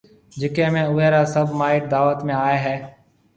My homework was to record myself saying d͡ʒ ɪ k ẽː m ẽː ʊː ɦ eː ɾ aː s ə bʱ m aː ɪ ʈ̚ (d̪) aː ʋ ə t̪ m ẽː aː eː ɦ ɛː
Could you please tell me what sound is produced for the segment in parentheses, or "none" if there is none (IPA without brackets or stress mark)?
d̪